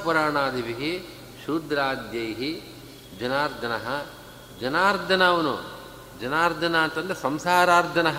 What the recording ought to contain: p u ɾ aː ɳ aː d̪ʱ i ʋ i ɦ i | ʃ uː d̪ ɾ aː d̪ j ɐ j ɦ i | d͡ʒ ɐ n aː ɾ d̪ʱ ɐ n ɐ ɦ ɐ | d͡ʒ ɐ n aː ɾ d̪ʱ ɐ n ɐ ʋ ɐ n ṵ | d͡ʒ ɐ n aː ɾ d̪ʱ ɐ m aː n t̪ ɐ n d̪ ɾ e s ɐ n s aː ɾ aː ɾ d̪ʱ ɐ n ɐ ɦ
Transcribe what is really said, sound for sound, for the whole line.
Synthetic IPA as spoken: p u ɾ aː ɳ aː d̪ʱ i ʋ i ɦ i | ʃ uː d̪ ɾ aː d̪ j ɐ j ɦ i | d͡ʒ ɐ n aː ɾ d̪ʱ ɐ n ɐ ɦ ɐ | d͡ʒ ɐ n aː ɾ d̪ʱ ɐ n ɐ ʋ ɐ n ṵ | d͡ʒ ɐ n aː ɾ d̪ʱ ɐ n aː n t̪ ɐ n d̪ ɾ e s ɐ m s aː ɾ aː ɾ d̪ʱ ɐ n ɐ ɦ